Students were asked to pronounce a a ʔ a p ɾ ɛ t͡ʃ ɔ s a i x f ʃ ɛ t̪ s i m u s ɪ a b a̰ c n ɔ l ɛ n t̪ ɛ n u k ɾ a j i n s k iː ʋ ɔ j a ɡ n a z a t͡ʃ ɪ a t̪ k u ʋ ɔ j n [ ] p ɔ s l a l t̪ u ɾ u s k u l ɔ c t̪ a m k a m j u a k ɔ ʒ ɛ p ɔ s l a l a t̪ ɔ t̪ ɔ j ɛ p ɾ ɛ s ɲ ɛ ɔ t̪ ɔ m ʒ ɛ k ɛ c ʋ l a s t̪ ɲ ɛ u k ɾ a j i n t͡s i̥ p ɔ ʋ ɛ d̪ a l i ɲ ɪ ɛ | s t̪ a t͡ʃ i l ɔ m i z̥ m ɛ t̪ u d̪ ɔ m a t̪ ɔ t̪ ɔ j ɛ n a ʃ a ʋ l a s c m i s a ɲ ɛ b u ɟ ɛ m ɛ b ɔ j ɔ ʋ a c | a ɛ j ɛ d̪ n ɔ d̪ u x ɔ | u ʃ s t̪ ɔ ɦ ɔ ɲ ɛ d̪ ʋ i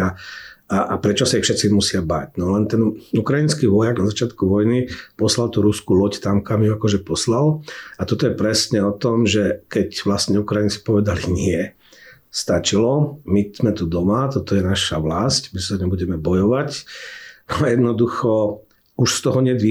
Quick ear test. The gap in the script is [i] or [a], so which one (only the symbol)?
i